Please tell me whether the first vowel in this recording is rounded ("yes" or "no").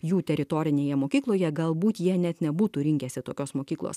yes